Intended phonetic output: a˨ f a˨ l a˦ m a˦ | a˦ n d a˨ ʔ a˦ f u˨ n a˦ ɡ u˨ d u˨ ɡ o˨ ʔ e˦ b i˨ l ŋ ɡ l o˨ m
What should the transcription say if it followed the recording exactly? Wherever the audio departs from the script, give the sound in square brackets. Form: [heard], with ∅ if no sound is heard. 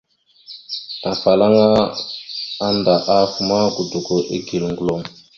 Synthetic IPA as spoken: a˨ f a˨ l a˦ [ŋ] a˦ | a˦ n d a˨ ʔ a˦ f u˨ [m] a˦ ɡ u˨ d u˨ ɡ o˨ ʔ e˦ [ɡ] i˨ l ŋ ɡ l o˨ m